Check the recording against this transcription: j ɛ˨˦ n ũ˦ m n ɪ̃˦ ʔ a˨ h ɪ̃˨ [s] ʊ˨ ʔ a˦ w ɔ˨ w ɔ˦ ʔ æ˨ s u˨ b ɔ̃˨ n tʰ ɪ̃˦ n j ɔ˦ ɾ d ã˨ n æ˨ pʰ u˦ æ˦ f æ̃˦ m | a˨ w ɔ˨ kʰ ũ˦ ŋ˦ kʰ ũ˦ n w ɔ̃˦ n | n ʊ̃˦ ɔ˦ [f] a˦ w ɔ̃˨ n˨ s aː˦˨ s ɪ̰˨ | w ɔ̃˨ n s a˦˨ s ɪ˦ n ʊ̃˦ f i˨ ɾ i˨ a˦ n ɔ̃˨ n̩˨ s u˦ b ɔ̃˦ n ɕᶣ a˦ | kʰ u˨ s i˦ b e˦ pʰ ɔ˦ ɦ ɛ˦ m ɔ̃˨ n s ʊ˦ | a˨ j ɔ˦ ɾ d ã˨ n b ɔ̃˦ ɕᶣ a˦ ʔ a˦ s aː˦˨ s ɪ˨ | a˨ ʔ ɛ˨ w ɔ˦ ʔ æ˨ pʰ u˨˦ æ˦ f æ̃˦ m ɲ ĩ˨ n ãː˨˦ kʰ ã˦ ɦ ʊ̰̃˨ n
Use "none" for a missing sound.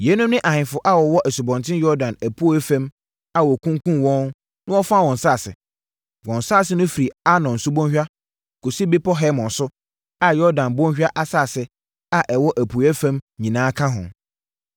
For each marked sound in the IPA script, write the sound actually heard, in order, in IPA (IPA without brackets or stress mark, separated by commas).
f, f